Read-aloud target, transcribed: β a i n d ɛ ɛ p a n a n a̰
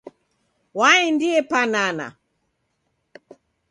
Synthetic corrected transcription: w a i n d i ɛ p a n a n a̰